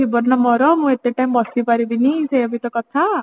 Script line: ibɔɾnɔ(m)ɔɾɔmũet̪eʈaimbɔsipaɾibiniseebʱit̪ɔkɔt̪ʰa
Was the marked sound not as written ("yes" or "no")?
no